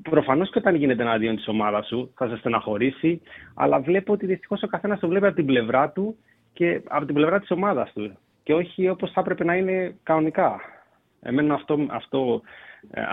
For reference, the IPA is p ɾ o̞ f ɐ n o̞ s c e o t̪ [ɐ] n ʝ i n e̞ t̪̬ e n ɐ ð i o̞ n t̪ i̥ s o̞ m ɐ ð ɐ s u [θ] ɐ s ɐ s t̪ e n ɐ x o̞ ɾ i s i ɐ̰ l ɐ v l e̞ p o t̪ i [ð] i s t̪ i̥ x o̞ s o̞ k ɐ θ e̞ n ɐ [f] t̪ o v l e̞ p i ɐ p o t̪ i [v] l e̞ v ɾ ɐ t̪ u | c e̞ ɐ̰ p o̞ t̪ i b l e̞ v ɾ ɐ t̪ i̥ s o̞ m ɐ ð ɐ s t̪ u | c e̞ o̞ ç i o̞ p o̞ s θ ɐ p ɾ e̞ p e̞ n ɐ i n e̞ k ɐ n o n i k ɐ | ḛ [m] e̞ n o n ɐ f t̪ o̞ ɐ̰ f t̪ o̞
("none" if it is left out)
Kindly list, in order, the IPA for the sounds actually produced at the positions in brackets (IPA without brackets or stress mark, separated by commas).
ɐ, θ, ð, s, b, m